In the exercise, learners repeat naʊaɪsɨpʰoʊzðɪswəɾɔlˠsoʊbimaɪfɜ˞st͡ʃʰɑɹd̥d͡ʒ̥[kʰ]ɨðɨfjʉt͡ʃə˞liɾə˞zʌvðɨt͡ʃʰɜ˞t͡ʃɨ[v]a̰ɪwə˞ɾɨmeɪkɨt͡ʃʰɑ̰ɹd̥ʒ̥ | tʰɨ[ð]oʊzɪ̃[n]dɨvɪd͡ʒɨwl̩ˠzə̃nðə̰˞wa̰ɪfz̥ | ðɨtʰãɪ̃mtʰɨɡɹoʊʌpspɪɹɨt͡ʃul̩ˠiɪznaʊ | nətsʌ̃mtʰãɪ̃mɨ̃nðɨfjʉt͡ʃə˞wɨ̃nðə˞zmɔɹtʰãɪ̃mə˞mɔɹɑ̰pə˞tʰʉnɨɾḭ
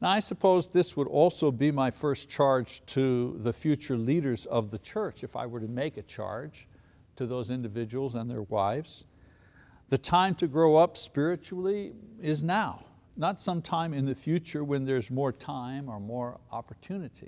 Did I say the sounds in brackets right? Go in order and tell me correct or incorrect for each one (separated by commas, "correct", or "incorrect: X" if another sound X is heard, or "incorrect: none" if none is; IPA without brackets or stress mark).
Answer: incorrect: tʰ, incorrect: f, correct, correct